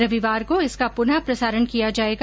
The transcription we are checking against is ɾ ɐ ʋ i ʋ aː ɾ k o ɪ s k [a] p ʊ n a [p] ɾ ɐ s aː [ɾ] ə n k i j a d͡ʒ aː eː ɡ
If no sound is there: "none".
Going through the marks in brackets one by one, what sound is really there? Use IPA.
a, p, ɾ

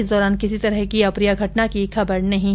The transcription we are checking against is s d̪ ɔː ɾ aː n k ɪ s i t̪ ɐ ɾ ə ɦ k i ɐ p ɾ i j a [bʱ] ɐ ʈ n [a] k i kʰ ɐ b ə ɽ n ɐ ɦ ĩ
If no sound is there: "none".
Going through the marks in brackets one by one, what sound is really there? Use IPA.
ɡʱ, a

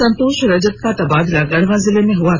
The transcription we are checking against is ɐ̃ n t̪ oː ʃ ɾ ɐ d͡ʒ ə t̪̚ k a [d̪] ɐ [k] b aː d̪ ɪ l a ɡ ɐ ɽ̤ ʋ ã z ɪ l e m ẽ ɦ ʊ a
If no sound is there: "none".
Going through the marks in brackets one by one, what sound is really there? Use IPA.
t̪, none

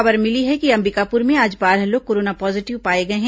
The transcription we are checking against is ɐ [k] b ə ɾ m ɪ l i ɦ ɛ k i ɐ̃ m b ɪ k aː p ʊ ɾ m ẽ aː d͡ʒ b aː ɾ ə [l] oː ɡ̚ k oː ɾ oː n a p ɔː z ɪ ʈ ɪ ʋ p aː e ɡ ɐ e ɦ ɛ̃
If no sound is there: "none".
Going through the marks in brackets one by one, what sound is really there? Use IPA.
none, l

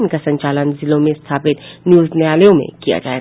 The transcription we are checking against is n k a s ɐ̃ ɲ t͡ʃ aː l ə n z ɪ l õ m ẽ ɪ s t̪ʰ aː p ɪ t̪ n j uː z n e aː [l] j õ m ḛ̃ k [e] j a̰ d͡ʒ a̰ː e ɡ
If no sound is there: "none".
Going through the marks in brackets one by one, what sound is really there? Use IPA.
l, i

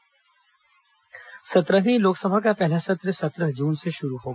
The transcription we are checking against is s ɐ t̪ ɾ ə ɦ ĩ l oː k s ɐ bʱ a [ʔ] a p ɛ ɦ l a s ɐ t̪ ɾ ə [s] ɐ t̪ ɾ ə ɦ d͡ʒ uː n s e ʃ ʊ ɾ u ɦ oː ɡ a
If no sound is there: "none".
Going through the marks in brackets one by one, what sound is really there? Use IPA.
k, s

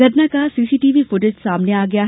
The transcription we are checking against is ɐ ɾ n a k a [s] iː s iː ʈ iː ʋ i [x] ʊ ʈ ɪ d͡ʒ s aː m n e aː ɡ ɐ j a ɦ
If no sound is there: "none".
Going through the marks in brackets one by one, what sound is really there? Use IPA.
s, f

